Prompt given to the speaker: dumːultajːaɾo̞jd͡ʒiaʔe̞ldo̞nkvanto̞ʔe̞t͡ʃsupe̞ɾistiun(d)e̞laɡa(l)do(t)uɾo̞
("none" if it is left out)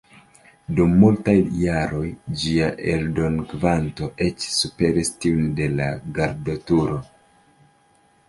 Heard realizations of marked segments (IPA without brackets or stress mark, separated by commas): d, ɾ, t